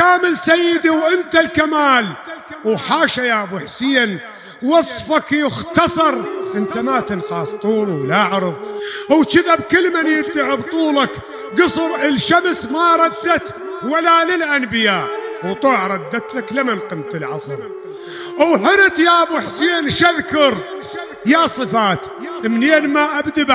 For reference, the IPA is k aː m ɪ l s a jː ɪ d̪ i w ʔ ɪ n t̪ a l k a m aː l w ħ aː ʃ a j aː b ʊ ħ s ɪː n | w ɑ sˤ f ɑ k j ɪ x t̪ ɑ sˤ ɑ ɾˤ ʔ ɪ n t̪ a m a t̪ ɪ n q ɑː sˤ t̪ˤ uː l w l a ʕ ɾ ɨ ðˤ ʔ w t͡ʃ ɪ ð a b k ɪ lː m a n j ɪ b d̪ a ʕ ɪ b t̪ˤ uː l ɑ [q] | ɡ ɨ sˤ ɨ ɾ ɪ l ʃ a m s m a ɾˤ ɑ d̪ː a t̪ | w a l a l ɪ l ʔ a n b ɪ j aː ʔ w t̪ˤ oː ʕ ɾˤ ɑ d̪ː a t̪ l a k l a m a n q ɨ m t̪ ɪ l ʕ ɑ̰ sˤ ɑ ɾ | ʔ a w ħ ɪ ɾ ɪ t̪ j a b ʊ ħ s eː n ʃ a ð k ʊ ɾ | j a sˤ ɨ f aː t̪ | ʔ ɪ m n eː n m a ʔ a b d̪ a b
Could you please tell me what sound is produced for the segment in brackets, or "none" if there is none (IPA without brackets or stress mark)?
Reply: k